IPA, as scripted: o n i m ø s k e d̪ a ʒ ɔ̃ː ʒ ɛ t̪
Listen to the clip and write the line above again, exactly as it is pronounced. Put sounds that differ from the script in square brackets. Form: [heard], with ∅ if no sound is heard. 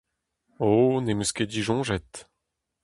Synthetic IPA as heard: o n [e] m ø s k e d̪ [i] ʒ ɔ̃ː ʒ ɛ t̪